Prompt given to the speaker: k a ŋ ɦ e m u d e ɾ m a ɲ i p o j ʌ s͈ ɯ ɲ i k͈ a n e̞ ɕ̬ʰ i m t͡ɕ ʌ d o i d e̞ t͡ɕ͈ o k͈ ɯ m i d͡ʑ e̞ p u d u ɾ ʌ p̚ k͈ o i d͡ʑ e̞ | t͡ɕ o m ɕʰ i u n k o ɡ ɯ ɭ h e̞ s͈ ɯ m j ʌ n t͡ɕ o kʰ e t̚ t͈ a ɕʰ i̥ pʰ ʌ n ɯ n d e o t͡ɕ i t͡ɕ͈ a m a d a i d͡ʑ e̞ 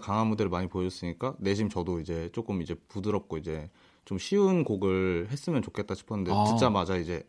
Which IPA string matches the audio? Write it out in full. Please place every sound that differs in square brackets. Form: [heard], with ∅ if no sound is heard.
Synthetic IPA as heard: k a ŋ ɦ [a] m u d e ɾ m a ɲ i p o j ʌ s͈ ɯ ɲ i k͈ a n e̞ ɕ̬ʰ i m t͡ɕ ʌ d o i [d͡ʑ] e̞ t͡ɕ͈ o k͈ ɯ m i d͡ʑ e̞ p u d [ɯ] ɾ ʌ p̚ k͈ o i d͡ʑ e̞ | t͡ɕ o m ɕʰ i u n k o ɡ ɯ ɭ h e̞ s͈ ɯ m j ʌ n t͡ɕ o kʰ e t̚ t͈ a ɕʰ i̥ pʰ ʌ n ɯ n d e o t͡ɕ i t͡ɕ͈ a m a [d͡ʑ] a i d͡ʑ e̞